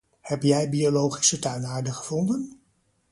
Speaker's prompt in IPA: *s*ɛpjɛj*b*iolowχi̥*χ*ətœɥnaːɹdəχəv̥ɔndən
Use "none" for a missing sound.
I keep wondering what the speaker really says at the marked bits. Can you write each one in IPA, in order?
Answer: h, b, s

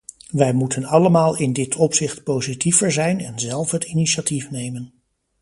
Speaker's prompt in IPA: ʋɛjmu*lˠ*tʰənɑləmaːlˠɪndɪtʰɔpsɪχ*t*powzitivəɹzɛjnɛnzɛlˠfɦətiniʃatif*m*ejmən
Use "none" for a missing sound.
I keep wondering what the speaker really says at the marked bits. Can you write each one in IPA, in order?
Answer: none, t, n

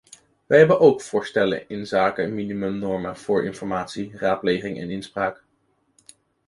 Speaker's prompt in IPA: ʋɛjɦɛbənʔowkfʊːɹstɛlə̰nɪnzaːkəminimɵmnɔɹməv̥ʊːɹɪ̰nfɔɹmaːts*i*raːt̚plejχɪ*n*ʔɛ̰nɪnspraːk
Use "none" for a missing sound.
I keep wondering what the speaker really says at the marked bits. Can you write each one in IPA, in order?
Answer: i, ŋ

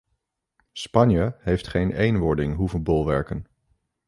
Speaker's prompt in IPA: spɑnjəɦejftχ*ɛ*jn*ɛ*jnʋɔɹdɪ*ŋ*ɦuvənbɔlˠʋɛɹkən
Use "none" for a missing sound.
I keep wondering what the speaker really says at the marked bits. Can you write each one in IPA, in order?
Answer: e, e, ŋ

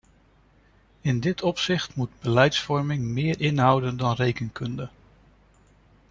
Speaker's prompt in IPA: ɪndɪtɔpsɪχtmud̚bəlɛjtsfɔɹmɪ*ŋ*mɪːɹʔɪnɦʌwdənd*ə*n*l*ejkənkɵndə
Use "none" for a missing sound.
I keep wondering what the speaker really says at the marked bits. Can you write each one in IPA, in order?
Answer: ŋ, ɑ, r

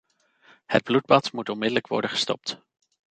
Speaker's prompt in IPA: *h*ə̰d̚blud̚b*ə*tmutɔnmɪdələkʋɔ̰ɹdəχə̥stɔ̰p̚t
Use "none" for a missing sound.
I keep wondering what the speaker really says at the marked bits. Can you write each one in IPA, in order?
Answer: h, ɑ

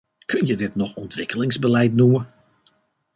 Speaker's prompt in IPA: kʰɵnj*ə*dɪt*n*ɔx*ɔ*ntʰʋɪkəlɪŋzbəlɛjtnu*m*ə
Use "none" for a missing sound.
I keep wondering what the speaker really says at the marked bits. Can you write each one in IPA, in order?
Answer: ə, n, ɔ, m

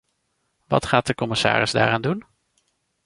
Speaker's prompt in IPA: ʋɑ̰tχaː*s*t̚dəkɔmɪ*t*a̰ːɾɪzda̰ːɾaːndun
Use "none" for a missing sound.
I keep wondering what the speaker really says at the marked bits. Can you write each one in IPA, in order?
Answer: none, s

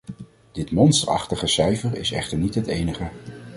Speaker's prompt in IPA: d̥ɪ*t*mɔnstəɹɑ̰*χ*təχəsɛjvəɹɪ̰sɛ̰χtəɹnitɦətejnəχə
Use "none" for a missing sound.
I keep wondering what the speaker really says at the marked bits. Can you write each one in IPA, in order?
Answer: t, χ

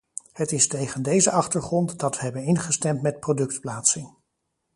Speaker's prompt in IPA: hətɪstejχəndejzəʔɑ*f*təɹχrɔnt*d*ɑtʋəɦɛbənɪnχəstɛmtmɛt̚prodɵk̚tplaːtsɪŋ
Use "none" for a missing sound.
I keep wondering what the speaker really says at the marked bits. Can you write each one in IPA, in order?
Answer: χ, d

